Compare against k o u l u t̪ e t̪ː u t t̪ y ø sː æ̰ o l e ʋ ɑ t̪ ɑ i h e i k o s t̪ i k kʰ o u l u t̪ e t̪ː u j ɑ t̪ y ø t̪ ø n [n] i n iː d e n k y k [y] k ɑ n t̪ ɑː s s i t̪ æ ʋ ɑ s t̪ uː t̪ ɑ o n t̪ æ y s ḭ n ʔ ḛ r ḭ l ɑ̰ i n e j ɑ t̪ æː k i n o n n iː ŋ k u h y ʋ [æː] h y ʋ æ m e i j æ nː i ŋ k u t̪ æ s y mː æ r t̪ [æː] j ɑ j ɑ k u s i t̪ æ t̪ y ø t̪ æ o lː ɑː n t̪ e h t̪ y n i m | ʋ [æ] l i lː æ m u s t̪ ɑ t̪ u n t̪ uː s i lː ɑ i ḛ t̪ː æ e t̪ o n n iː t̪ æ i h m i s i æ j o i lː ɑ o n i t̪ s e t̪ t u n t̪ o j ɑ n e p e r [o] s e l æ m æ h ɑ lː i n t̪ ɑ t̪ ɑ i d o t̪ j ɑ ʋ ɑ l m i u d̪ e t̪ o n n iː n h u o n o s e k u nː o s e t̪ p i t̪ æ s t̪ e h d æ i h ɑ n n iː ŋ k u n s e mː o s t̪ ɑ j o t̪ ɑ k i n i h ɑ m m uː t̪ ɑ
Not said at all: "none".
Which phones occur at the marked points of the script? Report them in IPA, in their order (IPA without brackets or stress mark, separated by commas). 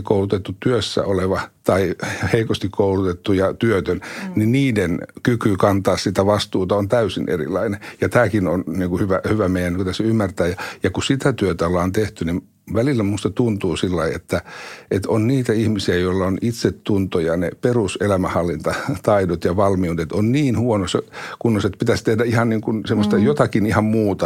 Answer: n, y, æ, æː, æ, u